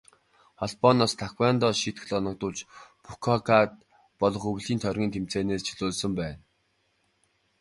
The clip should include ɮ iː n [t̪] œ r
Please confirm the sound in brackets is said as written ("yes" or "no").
no